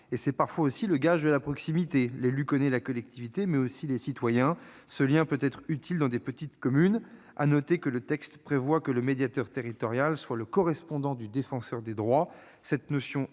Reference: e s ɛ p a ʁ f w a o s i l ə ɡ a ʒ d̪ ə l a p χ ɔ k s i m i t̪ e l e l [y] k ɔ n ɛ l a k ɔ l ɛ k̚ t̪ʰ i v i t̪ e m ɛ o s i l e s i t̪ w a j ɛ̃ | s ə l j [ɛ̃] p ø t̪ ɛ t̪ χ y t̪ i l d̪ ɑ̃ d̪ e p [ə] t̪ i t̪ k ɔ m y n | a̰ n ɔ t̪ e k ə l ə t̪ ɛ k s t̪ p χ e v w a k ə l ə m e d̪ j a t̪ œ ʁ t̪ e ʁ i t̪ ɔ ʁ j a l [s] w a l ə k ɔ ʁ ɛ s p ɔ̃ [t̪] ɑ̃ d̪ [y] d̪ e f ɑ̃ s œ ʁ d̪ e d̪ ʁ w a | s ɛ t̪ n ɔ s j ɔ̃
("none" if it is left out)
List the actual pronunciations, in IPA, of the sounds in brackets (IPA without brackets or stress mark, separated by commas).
y, ɛ̃, ə, s, d̪, y